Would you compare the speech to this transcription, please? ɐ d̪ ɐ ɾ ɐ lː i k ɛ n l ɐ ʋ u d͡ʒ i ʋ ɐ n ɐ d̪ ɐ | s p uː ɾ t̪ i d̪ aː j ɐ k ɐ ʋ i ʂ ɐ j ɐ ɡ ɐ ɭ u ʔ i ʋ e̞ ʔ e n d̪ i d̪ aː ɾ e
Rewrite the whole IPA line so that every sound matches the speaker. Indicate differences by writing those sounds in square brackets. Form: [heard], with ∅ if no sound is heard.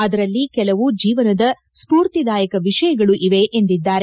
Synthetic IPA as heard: ɐ d̪ ɐ ɾ ɐ lː i k ɛ [∅] l ɐ ʋ u d͡ʒ [iː] ʋ ɐ n ɐ d̪ ɐ | s p uː ɾ t̪ i d̪ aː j ɐ k ɐ ʋ i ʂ ɐ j ɐ ɡ ɐ ɭ u ʔ i ʋ e̞ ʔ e n d̪ i [d̪ː] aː ɾ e